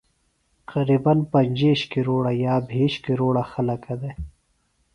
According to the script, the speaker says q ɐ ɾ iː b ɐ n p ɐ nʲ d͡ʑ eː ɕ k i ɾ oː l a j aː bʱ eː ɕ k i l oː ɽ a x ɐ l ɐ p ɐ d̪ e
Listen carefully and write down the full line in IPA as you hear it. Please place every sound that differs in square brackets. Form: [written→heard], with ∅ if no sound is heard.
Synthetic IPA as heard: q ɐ ɾ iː b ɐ n p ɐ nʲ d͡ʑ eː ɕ k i ɾ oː [l→ɽ] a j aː bʱ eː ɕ k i [l→ɾ] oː ɽ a x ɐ l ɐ [p→k] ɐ d̪ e